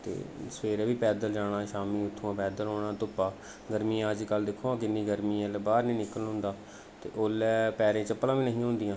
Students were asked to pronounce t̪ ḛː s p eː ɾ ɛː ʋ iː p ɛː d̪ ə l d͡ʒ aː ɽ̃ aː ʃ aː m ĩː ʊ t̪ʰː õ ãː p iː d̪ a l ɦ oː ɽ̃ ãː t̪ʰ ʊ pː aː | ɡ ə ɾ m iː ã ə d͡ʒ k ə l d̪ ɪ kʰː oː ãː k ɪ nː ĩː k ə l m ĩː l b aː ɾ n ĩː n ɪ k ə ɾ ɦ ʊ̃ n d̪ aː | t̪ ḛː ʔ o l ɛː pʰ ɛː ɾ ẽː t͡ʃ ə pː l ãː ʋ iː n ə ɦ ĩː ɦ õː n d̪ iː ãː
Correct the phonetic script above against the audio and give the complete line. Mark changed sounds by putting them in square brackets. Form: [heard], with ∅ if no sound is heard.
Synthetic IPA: t̪ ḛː s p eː ɾ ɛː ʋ iː p ɛː d̪ ə l d͡ʒ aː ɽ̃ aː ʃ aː m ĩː ʊ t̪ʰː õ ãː p [ɛː] d̪ [ə] l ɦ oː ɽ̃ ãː [t̪] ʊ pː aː | ɡ ə ɾ m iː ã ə d͡ʒ k ə l d̪ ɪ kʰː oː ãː k ɪ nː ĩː [ɡ] ə [ɾ] m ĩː l b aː ɾ n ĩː n ɪ k ə [l] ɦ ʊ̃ n d̪ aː | t̪ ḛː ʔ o l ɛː [p] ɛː ɾ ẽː t͡ʃ ə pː l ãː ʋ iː n ə ɦ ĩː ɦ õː n d̪ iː ãː